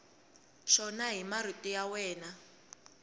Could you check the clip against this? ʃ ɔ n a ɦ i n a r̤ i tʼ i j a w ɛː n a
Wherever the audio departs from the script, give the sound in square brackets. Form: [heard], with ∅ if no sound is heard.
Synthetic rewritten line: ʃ ɔ n a ɦ i [m] a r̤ i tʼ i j a w ɛː n a